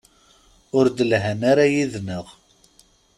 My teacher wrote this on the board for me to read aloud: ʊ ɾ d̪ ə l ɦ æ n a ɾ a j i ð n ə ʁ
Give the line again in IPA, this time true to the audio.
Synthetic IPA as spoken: ʊ ɾ d̪ ə l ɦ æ n a ɾ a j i ð n ə ʁ